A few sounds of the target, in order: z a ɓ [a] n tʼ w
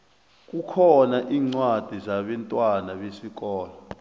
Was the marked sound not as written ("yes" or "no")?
yes